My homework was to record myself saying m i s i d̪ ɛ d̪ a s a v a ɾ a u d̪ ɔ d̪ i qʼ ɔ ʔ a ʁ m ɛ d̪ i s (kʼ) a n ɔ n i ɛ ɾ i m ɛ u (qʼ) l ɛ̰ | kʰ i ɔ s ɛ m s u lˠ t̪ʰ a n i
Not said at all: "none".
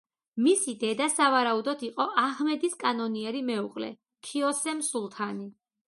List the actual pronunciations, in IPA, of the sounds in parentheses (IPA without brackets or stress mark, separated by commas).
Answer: kʼ, qʼ